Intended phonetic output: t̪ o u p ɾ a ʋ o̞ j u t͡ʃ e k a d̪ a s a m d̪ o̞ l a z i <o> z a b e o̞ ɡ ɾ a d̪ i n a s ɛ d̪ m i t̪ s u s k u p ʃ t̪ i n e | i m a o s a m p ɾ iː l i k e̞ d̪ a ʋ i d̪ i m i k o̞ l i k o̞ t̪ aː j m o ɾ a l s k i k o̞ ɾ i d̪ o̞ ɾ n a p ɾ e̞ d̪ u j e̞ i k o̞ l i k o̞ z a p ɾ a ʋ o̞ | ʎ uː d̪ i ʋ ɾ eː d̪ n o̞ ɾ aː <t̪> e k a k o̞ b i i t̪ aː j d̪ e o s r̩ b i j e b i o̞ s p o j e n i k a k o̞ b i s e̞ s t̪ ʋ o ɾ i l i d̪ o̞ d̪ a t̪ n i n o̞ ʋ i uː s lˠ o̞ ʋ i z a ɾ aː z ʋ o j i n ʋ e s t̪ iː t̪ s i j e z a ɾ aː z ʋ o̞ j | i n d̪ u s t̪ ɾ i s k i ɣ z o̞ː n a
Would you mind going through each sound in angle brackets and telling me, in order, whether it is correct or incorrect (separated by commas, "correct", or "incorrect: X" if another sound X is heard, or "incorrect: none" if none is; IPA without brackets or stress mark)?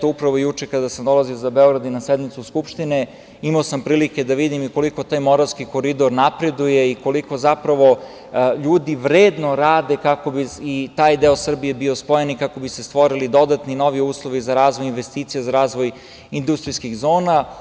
correct, incorrect: d̪